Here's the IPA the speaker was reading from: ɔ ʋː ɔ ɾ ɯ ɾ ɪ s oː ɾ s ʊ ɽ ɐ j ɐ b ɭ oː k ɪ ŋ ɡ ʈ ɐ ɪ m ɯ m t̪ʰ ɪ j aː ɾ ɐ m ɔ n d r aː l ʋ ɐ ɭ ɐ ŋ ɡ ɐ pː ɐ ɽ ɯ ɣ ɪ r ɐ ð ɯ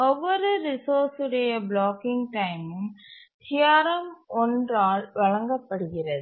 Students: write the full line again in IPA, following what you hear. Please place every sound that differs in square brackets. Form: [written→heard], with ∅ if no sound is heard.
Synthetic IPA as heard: ɔ ʋː ɔ ɾ ɯ ɾ ɪ s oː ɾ s [ʊ→ɯ] ɽ ɐ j ɐ b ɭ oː k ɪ ŋ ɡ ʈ ɐ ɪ m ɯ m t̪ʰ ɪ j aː ɾ ɐ m ɔ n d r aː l ʋ ɐ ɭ ɐ ŋ ɡ ɐ pː ɐ ɽ ɯ ɣ ɪ r ɐ ð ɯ